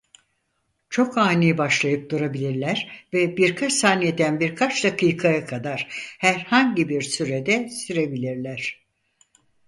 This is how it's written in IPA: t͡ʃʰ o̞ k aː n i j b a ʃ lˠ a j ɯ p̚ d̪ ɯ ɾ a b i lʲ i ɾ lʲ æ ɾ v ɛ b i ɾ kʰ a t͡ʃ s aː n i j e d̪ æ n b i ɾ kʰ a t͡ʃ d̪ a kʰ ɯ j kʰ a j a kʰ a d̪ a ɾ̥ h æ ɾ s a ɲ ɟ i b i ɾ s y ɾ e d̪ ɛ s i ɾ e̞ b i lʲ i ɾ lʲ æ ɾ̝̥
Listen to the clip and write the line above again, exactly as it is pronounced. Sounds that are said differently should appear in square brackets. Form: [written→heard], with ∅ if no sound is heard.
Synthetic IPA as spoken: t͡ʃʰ o̞ k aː n i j b a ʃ lˠ a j ɯ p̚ d̪ [ɯ→u] ɾ a b i lʲ i ɾ lʲ æ ɾ v ɛ b i ɾ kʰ a t͡ʃ s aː n i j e d̪ æ n b i ɾ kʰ a t͡ʃ d̪ a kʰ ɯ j kʰ a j a kʰ a d̪ a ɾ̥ h æ ɾ [s→h] a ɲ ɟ i b i ɾ s y ɾ e d̪ ɛ s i ɾ e̞ b i lʲ i ɾ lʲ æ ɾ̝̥